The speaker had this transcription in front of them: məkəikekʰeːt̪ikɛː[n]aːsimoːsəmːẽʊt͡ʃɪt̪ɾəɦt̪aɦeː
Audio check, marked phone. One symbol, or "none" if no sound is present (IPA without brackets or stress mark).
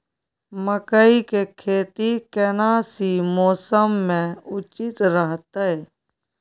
n